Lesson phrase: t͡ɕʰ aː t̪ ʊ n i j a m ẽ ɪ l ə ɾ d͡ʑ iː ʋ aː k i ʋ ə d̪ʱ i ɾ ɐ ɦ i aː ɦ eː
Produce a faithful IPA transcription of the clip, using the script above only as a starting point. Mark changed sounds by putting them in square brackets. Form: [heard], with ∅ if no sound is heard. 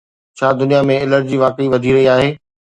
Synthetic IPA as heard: t͡ɕʰ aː [d̪] ʊ n i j a m ẽ ɪ l ə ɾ d͡ʑ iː ʋ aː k i ʋ [ɐ] d̪ʱ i ɾ ɐ ɦ i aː ɦ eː